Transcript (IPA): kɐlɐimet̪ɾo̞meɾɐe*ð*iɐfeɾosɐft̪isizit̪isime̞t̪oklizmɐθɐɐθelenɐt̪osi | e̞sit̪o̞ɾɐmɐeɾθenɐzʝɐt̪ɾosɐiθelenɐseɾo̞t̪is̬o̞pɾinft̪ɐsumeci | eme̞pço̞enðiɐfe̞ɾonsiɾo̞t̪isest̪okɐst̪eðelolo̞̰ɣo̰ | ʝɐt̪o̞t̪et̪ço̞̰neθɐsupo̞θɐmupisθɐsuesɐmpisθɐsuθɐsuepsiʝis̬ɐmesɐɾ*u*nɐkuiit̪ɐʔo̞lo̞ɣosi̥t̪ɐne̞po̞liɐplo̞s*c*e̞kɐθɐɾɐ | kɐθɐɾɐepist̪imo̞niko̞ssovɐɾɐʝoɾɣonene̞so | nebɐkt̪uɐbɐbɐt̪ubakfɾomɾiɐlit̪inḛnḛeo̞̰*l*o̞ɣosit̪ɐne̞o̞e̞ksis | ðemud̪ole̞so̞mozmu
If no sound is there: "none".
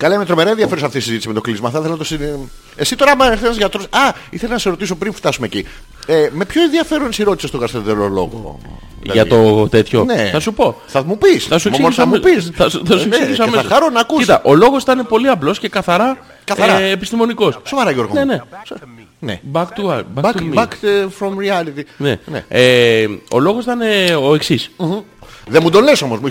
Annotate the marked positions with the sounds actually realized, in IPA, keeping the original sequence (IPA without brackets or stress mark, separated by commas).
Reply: ð, o, c, l